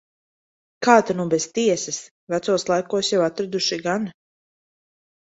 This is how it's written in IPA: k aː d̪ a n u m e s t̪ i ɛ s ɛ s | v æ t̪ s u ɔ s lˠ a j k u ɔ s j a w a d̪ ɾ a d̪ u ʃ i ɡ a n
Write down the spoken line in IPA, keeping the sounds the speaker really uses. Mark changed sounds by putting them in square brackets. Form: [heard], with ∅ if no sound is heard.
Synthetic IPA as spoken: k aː [t̪] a n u [b] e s t̪ i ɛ s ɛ s | v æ t̪ s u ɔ s lˠ a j k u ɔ s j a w a [t̪] ɾ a d̪ u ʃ i ɡ a n